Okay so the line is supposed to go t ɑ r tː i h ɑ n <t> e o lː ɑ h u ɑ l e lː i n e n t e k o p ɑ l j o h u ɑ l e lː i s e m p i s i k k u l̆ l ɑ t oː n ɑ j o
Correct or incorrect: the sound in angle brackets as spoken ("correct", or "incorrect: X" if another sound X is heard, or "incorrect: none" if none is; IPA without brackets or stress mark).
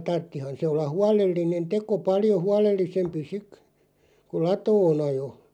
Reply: incorrect: s